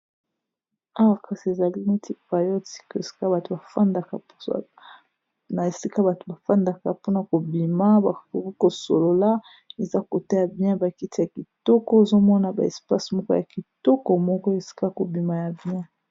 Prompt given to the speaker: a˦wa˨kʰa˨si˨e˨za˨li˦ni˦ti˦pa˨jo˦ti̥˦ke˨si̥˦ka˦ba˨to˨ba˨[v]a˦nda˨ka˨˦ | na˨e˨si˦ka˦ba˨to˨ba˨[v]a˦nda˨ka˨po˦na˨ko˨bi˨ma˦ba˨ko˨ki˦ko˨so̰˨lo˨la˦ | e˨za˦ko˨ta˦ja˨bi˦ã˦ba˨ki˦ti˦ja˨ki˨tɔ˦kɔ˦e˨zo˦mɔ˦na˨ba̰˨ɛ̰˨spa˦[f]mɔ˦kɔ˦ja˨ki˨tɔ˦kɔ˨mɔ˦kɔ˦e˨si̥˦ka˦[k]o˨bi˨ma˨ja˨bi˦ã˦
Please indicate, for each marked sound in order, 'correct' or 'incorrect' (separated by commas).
incorrect, incorrect, incorrect, correct